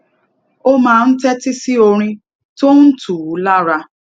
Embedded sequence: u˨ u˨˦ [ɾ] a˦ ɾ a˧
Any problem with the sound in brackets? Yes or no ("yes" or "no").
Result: yes